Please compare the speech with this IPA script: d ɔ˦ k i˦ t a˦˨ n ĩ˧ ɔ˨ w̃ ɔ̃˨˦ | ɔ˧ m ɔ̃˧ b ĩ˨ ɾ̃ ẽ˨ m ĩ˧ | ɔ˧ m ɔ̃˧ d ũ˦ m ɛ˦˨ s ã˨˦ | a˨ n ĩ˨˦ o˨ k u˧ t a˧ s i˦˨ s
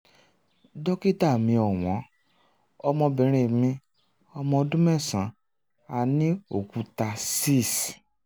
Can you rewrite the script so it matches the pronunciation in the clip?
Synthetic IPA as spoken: d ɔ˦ k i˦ t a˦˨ m ĩ˧ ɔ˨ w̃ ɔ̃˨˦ | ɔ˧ m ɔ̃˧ b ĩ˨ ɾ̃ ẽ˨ m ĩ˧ | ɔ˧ m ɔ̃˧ d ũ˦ m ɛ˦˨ s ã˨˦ | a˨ n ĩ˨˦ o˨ k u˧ t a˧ s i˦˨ s